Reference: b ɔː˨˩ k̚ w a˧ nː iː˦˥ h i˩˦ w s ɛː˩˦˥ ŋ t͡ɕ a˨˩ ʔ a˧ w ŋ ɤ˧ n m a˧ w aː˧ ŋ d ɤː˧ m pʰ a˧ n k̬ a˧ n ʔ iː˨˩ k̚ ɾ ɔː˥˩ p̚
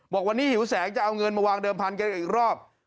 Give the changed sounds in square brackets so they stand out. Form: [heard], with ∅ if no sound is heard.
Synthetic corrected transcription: b ɔː˨˩ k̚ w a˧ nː iː˦˥ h i˩˦ w s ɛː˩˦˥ ŋ t͡ɕ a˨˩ ʔ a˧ w ŋ ɤ˧ n m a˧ w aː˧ ŋ d ɤː˧ m pʰ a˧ n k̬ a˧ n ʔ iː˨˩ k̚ ɾ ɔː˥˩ p̚